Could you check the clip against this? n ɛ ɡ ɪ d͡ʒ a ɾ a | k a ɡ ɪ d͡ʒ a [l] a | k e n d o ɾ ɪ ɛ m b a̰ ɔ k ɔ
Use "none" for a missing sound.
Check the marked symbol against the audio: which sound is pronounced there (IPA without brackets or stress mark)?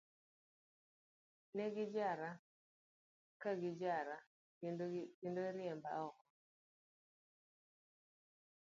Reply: ɾ